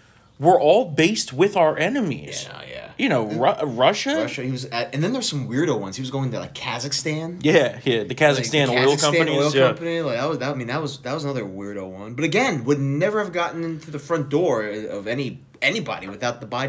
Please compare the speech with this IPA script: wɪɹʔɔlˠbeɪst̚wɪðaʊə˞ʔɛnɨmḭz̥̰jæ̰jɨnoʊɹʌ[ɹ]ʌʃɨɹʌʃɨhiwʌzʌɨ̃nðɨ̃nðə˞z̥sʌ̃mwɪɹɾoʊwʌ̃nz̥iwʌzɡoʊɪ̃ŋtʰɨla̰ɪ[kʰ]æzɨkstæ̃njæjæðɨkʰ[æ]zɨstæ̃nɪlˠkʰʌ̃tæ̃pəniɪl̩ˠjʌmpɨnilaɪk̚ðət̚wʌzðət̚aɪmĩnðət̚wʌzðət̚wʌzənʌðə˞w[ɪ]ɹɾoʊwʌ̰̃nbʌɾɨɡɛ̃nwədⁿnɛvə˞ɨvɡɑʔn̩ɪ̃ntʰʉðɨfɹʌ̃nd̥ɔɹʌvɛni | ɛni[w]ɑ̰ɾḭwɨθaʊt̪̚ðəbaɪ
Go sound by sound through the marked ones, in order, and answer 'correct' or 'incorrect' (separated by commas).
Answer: correct, correct, correct, correct, incorrect